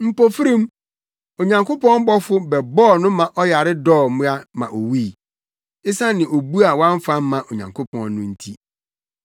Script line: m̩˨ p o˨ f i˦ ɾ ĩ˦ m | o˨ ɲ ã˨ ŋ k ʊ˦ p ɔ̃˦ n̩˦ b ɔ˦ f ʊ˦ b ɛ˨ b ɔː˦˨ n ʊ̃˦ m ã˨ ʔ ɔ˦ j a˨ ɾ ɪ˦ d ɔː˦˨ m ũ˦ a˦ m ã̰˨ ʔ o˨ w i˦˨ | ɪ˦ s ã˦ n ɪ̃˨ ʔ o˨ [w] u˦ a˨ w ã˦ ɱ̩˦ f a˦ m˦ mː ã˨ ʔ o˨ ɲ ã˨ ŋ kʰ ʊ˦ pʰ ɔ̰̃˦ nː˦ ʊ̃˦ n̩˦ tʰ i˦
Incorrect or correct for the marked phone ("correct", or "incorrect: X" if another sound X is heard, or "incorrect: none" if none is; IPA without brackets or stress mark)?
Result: incorrect: b